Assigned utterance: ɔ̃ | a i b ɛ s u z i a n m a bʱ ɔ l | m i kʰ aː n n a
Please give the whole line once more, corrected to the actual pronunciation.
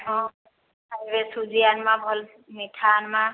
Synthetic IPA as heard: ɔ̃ | a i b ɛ s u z i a n m a bʱ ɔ l | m i tʰ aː n m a